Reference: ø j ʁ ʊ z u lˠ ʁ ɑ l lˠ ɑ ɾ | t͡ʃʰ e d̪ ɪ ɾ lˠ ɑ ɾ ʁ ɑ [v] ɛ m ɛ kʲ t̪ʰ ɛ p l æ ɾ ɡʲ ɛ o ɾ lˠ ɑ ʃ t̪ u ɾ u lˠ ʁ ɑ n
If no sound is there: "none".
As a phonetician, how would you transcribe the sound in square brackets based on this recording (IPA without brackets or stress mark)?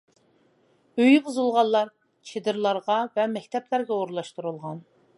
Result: v